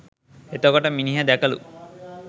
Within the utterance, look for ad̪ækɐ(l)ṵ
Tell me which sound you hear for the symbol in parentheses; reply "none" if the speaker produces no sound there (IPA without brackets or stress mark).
l